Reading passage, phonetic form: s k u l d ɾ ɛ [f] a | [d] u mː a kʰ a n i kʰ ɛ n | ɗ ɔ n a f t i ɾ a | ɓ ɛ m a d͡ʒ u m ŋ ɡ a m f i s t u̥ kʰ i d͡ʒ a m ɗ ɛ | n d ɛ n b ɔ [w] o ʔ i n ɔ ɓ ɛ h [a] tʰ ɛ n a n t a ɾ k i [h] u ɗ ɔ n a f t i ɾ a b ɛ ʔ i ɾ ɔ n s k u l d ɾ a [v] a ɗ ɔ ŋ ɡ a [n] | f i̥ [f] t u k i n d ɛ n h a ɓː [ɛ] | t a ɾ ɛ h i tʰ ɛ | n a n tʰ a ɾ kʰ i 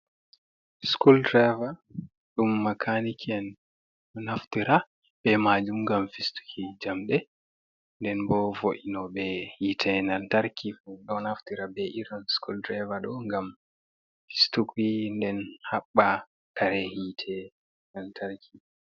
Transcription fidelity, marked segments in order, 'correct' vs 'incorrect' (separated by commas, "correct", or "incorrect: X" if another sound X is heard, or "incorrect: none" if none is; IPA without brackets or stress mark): incorrect: v, incorrect: ɗ, incorrect: v, incorrect: i, incorrect: f, correct, incorrect: m, incorrect: s, incorrect: a